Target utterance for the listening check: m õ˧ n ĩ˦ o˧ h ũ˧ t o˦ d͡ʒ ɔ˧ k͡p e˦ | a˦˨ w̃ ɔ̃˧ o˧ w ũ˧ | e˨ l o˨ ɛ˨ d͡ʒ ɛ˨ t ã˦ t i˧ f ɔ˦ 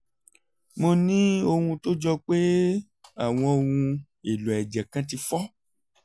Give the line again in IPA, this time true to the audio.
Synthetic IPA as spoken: m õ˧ n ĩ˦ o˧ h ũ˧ t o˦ d͡ʒ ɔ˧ k͡p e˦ | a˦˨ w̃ ɔ̃˧ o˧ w ũ˧ | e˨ l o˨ ɛ˨ d͡ʒ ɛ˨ k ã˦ t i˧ f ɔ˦

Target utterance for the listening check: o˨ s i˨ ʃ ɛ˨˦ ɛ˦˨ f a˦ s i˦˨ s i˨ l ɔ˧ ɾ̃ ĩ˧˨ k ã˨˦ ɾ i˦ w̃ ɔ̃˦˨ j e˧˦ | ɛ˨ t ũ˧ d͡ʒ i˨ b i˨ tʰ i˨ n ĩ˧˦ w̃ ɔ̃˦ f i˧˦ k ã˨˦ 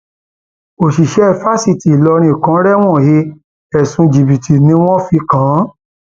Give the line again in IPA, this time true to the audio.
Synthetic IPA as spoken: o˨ ʃ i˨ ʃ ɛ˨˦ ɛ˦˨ f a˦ s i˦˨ t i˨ l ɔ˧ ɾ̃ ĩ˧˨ k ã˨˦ ɾ ɛ˦ w̃ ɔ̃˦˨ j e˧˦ | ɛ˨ s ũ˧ d͡ʒ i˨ b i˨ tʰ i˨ n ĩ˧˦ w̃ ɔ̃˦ f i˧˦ k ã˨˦

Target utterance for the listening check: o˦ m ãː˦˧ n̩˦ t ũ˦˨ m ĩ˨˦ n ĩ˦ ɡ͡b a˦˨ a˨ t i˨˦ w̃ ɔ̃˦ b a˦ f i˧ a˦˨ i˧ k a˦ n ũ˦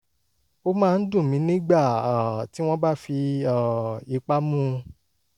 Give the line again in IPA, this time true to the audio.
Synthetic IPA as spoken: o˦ m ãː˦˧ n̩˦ d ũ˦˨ m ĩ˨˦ n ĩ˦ ɡ͡b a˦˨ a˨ t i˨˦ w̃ ɔ̃˦ b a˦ f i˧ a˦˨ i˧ k͡p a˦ m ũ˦

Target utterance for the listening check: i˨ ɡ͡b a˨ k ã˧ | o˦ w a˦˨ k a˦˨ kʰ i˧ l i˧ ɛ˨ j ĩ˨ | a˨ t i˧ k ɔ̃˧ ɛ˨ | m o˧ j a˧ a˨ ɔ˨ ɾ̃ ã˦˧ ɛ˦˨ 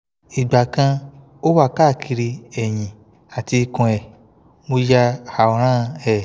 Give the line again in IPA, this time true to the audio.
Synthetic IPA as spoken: i˨ ɡ͡b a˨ k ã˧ | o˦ w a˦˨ k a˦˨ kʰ i˧ ɾ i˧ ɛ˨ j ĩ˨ | a˨ t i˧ k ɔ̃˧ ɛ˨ | m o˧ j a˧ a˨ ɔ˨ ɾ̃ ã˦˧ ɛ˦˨

